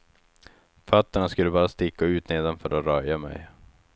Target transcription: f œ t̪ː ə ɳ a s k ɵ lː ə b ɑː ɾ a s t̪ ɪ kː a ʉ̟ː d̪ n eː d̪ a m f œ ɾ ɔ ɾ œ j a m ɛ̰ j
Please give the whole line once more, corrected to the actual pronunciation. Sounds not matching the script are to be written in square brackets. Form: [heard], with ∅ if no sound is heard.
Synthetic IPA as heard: f œ t̪ː ə ɳ a s k ɵ lː ə b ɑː ɾ a s t̪ ɪ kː a ʉ̟ː [t̪] n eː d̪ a [n] f œ ɾ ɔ ɾ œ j a m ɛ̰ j